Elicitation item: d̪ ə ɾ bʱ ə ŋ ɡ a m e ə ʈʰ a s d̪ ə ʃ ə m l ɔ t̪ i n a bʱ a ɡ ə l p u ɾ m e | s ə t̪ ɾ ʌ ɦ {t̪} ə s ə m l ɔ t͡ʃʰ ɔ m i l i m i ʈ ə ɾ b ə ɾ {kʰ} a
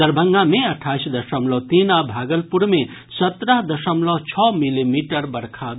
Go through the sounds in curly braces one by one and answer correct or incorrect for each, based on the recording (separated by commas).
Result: incorrect, correct